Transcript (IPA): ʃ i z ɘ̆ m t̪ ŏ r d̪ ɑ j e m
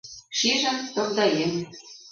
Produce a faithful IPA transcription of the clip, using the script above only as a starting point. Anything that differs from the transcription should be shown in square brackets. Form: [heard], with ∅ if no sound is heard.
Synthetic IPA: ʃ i [ʒ] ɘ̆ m t̪ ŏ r d̪ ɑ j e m